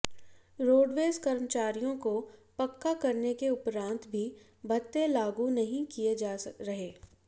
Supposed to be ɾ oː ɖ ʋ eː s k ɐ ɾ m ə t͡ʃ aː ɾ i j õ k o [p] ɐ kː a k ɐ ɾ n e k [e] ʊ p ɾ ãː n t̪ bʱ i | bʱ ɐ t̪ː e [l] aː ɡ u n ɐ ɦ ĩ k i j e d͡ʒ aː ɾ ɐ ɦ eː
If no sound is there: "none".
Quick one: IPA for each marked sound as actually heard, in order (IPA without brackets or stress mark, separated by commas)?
p, e, l